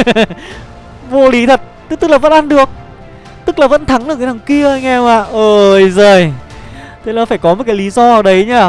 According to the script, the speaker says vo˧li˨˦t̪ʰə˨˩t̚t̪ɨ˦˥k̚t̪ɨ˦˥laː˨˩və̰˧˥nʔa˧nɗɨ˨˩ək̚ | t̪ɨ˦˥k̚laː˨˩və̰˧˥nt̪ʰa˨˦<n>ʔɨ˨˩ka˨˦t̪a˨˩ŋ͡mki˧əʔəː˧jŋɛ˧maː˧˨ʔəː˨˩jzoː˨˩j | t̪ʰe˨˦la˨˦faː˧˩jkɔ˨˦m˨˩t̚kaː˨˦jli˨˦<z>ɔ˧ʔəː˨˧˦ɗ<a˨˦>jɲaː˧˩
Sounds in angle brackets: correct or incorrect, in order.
incorrect: ŋ, correct, incorrect: ə˨˦

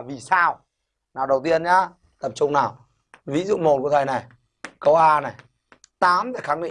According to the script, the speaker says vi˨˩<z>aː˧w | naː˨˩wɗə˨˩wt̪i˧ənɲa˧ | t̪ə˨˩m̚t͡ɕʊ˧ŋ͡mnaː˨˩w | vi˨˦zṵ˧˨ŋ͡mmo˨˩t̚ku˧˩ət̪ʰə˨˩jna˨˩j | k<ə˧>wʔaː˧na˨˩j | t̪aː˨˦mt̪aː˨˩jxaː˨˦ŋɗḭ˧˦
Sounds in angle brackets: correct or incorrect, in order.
incorrect: s, correct

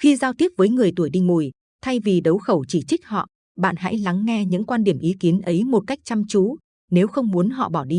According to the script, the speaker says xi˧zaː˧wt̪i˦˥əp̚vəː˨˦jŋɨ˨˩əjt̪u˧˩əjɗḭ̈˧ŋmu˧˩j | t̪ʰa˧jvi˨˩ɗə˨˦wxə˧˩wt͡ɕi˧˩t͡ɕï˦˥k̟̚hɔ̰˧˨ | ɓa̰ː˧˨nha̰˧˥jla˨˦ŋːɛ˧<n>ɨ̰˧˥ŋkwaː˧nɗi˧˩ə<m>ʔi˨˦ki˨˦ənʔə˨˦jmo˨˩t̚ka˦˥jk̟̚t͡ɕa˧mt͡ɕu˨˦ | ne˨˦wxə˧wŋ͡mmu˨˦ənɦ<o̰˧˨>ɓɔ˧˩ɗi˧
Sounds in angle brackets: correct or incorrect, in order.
incorrect: ɲ, correct, incorrect: ɔ̰˧˨

